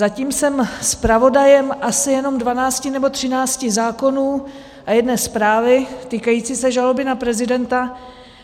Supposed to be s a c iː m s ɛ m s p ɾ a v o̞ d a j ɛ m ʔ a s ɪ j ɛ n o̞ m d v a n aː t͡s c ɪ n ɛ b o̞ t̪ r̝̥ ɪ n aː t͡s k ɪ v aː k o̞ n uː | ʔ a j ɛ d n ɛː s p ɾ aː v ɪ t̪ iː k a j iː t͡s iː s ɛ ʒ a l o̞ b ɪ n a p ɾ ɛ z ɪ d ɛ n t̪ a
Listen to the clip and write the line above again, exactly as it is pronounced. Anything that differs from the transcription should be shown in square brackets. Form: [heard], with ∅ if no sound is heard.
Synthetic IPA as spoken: [z] a c iː m s ɛ m s p ɾ a v o̞ d a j ɛ m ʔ a s ɪ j ɛ n o̞ m d v a n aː t͡s c ɪ n ɛ b o̞ t̪ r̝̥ ɪ n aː t͡s [c] ɪ [z] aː k o̞ n uː | ʔ a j ɛ d n ɛː s p ɾ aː v ɪ t̪ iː k a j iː t͡s iː s ɛ ʒ a l o̞ b ɪ n a p ɾ ɛ z ɪ d ɛ n t̪ a